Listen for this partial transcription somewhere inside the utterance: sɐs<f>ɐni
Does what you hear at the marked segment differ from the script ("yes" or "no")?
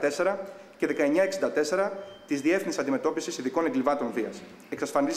no